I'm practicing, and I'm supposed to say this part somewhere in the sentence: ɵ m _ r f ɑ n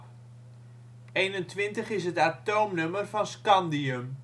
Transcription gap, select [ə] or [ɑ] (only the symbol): ə